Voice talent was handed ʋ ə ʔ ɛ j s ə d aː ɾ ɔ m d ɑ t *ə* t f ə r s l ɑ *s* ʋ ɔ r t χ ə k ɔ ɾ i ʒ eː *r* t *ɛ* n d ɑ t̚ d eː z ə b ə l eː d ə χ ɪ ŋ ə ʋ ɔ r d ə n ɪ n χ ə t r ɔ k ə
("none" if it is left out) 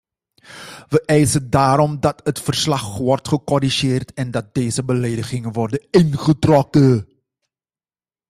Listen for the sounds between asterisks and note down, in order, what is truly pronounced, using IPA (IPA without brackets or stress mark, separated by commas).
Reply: ə, χ, r, ɛ